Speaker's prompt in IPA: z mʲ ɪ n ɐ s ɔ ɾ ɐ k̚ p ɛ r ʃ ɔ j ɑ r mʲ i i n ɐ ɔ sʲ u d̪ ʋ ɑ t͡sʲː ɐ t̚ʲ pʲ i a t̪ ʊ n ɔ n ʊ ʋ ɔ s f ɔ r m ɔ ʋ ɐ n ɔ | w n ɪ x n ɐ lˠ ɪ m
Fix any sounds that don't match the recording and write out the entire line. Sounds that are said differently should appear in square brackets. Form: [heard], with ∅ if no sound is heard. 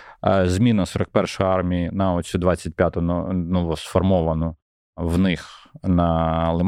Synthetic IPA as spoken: z mʲ [i] n ɐ s ɔ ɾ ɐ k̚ p ɛ r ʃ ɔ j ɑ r mʲ i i n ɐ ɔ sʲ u d̪ ʋ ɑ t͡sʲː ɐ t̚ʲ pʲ [j] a t̪ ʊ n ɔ n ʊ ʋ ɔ s f ɔ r m ɔ ʋ ɐ n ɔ | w n ɪ x n ɐ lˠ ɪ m